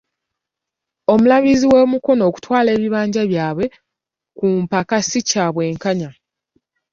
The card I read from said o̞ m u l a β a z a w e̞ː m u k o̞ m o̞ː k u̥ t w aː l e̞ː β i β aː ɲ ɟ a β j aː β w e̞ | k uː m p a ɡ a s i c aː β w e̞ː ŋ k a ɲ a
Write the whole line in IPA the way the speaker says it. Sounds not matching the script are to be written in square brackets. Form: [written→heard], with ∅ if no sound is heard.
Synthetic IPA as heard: o̞ m u l a β [a→i] z [a→i] w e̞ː m u k o̞ [m→n] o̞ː k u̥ t w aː l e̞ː β i β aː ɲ ɟ a β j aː β w e̞ | k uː m p a [ɡ→k] a s i c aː β w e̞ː ŋ k a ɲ a